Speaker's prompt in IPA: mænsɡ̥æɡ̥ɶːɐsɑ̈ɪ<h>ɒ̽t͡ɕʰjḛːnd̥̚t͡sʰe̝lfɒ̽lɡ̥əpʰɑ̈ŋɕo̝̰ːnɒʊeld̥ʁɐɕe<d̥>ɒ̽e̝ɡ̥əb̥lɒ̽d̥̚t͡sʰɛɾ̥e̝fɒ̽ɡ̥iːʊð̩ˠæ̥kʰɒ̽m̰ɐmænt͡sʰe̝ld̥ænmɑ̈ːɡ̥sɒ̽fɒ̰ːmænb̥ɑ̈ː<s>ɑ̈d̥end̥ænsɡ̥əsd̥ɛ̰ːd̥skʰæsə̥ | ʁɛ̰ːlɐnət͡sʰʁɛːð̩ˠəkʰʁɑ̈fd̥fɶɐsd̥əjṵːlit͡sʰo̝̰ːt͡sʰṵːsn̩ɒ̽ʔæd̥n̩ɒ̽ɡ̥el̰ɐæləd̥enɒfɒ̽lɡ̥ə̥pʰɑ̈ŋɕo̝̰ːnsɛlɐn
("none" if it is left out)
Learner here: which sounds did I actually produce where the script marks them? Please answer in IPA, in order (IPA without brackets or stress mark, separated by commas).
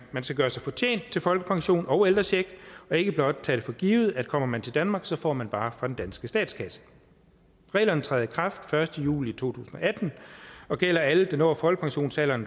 f, ɡ̥, f